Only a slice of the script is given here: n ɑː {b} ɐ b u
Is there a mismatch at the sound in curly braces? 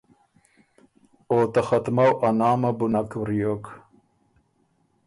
yes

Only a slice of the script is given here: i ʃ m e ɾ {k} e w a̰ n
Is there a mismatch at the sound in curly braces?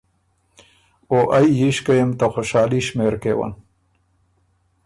no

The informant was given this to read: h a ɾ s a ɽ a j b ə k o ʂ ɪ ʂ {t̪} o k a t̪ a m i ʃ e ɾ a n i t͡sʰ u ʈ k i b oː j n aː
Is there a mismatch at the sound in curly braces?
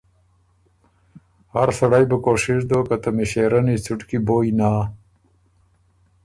yes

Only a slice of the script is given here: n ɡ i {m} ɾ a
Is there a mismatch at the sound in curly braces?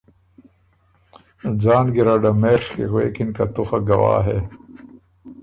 yes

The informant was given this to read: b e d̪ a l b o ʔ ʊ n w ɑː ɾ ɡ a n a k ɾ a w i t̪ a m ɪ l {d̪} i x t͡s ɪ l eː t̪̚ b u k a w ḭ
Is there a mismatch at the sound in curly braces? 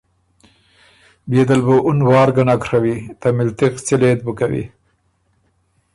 yes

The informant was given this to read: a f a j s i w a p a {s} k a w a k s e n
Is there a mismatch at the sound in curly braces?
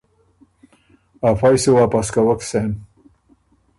no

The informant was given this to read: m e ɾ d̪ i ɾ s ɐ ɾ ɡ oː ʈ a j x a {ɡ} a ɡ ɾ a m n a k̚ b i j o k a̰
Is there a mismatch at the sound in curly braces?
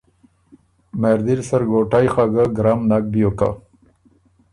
no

